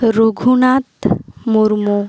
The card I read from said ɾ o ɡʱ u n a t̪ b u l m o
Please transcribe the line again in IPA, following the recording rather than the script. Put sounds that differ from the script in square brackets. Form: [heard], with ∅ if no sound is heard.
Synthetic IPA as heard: ɾ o ɡʱ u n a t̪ [m] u [ɾ] m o